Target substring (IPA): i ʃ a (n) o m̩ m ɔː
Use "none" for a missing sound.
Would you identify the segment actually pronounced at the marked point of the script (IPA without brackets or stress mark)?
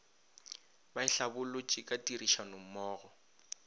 n